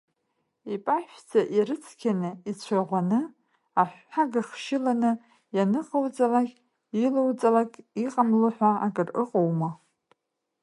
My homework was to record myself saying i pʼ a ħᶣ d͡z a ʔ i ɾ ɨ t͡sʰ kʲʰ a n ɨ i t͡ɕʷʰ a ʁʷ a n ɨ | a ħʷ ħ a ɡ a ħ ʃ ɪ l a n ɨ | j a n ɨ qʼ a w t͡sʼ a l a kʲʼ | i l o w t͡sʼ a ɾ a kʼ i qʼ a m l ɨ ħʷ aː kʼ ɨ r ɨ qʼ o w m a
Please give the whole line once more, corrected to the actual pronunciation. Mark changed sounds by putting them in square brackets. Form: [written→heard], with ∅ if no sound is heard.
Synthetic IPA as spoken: i pʼ a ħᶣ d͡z a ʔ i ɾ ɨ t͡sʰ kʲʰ a n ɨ i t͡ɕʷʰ a ʁʷ a n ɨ | a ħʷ ħ a ɡ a [ħ→χ] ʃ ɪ l a n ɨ | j a n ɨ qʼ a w t͡sʼ a l a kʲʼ | i l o w t͡sʼ a [ɾ→l] a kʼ i qʼ a m l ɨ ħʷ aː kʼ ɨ r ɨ qʼ o w m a